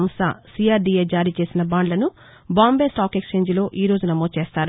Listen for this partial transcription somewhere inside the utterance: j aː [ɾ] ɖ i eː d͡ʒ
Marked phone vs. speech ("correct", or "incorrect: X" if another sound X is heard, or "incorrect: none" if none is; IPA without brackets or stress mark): correct